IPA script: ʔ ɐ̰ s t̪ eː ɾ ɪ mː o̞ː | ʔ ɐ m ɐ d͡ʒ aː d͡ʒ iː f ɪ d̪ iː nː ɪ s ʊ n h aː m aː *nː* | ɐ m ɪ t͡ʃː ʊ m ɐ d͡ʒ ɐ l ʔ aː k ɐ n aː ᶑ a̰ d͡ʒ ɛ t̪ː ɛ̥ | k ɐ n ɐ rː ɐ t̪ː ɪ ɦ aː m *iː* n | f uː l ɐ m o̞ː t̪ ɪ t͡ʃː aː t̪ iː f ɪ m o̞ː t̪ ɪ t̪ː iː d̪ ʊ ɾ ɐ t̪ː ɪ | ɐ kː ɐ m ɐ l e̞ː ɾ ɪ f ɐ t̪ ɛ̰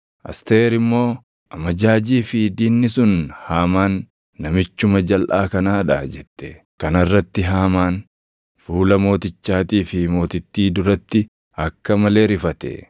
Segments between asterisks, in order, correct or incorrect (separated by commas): correct, incorrect